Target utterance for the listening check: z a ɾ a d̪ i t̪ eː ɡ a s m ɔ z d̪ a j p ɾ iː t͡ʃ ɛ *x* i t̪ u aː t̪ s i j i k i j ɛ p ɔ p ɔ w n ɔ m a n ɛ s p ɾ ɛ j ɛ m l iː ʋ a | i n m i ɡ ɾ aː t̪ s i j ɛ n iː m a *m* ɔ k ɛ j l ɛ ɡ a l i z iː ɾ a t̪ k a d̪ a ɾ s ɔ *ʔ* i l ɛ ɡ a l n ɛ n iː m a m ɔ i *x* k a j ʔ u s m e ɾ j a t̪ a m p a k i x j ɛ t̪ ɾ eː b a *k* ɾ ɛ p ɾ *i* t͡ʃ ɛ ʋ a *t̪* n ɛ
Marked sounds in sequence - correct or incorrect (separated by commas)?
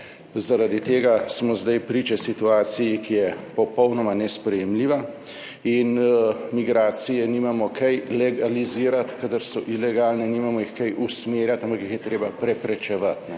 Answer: incorrect, correct, correct, correct, incorrect, incorrect, correct